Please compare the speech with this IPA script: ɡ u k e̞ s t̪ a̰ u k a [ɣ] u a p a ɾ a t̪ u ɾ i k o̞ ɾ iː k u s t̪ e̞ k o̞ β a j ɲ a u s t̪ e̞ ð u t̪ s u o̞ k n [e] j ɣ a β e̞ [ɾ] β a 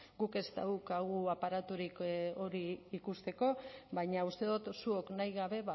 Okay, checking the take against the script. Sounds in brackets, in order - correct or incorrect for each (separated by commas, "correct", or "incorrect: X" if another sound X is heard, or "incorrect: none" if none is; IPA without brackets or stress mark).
correct, incorrect: a, incorrect: none